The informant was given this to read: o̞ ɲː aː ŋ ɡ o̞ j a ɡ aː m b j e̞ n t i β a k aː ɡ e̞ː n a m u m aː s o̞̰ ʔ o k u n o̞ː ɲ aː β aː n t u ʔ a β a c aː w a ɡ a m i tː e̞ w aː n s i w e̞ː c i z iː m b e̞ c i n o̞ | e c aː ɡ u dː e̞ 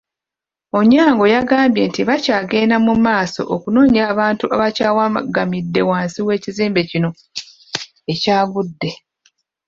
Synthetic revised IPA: o̞ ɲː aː ŋ ɡ o̞ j a ɡ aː m b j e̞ n t i β a c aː ɡ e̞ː n a m u m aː s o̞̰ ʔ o k u n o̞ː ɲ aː β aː n t u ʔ a β a c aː w a ɡ a m i dː e̞ w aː n s i w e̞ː c i z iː m b e̞ c i n o̞ | e c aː ɡ u dː e̞